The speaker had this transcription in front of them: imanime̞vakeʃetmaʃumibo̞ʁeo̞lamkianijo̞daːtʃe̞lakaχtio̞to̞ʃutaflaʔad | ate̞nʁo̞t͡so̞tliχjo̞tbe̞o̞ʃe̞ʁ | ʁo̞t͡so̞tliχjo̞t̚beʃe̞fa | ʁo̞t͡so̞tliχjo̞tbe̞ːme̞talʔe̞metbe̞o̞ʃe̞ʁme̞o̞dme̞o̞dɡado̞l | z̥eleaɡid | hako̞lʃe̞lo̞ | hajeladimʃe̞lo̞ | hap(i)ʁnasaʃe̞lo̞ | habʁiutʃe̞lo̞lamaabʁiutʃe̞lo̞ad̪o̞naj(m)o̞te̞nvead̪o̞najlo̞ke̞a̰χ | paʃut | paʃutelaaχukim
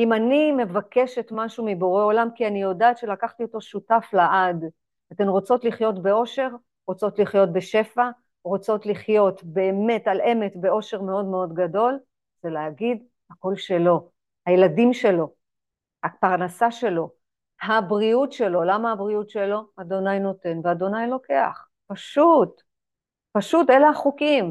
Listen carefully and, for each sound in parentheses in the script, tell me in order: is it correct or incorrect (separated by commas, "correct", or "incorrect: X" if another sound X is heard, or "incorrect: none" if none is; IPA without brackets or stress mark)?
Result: incorrect: a, incorrect: n